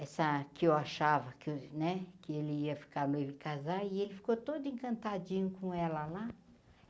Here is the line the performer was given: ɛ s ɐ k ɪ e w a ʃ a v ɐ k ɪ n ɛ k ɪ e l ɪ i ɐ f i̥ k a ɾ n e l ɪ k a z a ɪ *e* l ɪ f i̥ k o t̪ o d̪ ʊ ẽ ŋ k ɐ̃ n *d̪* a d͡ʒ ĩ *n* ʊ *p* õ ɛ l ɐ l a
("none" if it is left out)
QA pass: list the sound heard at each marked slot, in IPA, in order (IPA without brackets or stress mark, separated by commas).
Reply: e, t̪, ɲ, k